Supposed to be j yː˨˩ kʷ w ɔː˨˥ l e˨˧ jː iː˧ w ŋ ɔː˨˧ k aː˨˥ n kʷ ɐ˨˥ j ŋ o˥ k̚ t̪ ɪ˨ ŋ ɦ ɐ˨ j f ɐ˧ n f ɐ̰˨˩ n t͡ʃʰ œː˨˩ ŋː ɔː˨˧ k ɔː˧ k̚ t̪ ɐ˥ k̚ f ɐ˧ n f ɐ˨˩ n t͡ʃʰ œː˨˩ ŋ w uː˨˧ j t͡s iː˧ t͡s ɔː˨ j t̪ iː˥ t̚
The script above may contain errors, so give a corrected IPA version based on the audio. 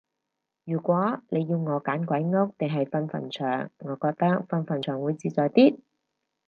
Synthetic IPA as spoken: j yː˨˩ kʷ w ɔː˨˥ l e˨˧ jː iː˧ w ŋ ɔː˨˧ k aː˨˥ n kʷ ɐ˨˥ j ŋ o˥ k̚ t̪ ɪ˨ ŋ ɦ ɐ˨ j f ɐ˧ n f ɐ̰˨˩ n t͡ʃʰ œː˨˩ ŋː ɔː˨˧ k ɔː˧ k̚ t̪ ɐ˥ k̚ f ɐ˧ n f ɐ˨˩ n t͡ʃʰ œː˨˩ ŋ w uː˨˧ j t͡s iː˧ t͡s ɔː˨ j t̪ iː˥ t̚